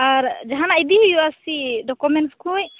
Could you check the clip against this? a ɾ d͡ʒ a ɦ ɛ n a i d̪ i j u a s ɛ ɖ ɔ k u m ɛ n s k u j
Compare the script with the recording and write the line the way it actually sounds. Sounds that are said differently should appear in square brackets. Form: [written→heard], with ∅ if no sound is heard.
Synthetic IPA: a ɾ d͡ʒ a ɦ [ɛ→a] n a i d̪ i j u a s [ɛ→i] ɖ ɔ k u m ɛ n s k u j